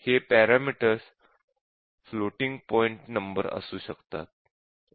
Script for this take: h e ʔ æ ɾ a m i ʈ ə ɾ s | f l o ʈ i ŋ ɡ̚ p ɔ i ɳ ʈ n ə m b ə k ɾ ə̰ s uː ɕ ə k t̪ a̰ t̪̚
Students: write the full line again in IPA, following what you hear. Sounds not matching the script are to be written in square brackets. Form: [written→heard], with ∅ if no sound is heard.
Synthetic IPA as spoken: h e [ʔ→p] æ ɾ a m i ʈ ə ɾ s | f l o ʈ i ŋ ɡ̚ p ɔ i ɳ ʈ n ə m b ə [k→∅] ɾ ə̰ s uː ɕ ə k t̪ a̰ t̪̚

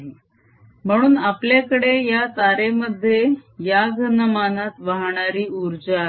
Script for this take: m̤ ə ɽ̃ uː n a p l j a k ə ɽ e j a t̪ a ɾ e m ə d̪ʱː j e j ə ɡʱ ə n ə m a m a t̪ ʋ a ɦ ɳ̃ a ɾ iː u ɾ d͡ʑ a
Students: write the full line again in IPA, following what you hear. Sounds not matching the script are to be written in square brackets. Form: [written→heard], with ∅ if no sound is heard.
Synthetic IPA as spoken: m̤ ə ɽ̃ uː n a p l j a k ə ɽ e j a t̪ a ɾ e m ə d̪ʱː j e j [ə→a] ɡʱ ə n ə m a [m→n] a t̪ ʋ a ɦ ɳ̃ a ɾ iː u ɾ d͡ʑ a

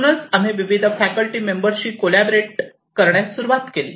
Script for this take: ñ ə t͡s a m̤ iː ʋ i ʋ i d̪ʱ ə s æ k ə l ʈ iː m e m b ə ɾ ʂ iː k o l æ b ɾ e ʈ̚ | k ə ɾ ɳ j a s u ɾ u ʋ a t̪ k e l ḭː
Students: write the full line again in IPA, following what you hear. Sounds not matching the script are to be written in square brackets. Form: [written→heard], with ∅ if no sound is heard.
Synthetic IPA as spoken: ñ ə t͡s a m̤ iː ʋ i ʋ i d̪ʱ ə [s→f] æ k ə l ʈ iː m e m b ə ɾ [ʂ→ɕ] iː k o l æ b ɾ e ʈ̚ | k ə ɾ ɳ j a s u ɾ u ʋ a t̪ k e l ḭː

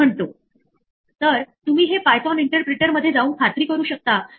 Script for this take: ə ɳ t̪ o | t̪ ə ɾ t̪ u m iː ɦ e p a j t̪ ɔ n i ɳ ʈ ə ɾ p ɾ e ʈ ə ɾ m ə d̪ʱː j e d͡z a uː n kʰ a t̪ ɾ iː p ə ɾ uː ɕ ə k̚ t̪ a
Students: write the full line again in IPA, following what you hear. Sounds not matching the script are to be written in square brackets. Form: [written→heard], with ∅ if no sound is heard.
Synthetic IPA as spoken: ə ɳ t̪ o | t̪ ə ɾ t̪ u m iː ɦ e p a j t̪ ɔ n i ɳ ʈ ə ɾ p ɾ e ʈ ə ɾ m ə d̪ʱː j e d͡z a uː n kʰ a t̪ ɾ iː [p→k] ə ɾ uː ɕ ə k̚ t̪ a

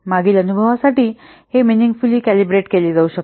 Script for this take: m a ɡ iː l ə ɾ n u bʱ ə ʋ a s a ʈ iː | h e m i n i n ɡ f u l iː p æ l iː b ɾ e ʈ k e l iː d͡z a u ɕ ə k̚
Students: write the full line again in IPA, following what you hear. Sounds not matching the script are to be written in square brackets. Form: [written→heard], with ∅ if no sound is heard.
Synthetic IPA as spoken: m a ɡ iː l ə [ɾ→∅] n u bʱ ə ʋ a s a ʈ iː | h e m i n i [n→ŋ] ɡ f u l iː [p→k] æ l [iː→i] b ɾ e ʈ k e l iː d͡z a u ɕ ə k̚

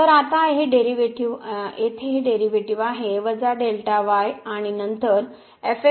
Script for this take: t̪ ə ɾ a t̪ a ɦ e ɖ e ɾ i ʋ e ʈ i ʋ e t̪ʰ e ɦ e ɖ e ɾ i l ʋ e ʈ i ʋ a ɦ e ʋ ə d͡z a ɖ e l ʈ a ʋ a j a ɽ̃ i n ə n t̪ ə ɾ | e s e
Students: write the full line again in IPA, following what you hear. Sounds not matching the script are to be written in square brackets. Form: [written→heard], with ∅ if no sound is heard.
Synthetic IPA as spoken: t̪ ə ɾ a t̪ a ɦ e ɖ e ɾ i ʋ e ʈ i ʋ e t̪ʰ e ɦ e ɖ e ɾ i [l→∅] ʋ e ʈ i ʋ a ɦ e ʋ ə d͡z a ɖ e l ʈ a ʋ a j a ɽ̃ i n ə n t̪ ə ɾ | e [s→f] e

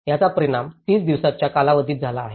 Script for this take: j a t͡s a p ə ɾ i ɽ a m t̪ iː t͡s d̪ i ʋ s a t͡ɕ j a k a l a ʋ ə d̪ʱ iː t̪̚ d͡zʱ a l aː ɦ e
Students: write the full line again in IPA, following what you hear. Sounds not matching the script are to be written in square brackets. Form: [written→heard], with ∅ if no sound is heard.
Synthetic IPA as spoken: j a t͡s a p ə ɾ i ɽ a m t̪ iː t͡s d̪ i ʋ s a t͡ɕ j a k a l a ʋ ə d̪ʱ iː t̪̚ d͡zʱ a l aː ɦ e

